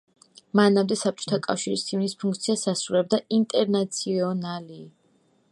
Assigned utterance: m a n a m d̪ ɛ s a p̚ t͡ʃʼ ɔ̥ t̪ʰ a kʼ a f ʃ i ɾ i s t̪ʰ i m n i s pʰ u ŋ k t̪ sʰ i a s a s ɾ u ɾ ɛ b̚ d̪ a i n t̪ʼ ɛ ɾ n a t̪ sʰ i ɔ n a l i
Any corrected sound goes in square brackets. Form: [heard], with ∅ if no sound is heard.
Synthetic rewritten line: m a n a m d̪ ɛ s a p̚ t͡ʃʼ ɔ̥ t̪ʰ a kʼ a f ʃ i ɾ i s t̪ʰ i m n i s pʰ u ŋ k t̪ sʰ i a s a s ɾ u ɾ ɛ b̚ d̪ a i n t̪ʼ ɛ ɾ n a t̪ sʰ i ɔ n a l i